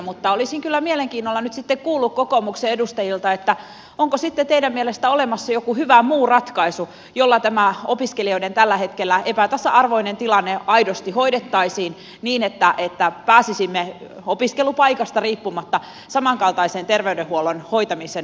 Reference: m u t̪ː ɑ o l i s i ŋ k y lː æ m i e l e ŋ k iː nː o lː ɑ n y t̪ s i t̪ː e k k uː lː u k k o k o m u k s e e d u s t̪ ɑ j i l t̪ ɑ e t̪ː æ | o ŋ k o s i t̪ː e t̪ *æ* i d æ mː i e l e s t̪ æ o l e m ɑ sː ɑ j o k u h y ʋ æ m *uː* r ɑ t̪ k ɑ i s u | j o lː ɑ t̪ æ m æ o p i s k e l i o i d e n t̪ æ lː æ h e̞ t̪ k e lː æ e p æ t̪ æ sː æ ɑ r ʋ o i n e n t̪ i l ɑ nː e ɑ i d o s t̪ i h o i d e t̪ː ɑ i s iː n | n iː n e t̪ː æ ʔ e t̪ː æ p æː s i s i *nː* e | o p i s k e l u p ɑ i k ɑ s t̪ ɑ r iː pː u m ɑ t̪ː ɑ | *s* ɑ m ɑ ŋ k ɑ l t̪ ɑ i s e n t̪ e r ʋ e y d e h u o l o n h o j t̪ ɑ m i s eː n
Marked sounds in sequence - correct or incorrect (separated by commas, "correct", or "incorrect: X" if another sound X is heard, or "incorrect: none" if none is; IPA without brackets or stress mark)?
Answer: incorrect: e, correct, incorrect: mː, correct